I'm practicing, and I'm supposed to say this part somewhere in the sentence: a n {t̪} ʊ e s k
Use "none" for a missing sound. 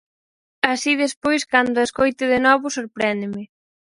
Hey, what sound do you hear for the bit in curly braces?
d̪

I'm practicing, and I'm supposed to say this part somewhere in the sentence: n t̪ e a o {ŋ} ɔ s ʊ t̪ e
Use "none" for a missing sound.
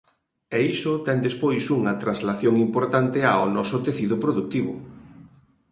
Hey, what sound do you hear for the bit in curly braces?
n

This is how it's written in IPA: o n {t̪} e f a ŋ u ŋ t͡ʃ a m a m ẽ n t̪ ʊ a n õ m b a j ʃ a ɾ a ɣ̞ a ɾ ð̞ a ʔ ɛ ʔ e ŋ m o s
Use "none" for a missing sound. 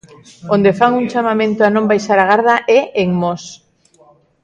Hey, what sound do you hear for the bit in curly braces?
d̪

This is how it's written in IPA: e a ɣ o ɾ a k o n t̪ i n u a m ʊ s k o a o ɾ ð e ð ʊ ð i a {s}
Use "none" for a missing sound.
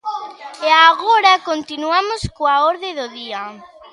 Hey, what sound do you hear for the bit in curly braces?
none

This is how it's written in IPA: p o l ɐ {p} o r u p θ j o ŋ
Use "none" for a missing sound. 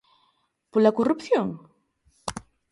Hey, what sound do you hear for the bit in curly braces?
k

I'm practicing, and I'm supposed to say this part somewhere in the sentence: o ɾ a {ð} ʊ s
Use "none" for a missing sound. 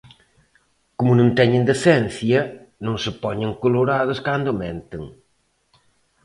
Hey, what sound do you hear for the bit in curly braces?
ð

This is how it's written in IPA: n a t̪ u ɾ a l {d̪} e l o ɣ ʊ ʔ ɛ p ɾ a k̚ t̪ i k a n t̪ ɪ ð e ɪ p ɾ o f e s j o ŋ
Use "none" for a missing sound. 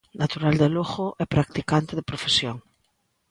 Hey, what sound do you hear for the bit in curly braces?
d̪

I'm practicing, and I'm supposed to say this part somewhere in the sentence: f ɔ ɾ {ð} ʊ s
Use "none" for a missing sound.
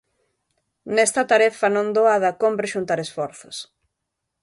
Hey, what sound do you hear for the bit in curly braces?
θ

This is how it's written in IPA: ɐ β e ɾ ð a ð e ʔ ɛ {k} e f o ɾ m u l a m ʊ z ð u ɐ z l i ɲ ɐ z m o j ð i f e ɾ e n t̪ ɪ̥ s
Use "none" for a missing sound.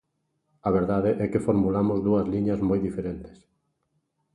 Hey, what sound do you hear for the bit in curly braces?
k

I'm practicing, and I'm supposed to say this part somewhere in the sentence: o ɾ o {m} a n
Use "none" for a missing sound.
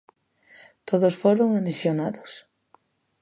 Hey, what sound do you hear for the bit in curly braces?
ŋ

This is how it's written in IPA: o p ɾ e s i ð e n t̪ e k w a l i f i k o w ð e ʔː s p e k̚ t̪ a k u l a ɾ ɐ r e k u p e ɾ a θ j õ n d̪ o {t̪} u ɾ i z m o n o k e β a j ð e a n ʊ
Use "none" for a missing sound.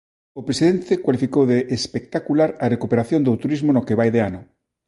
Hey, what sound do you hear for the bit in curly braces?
t̪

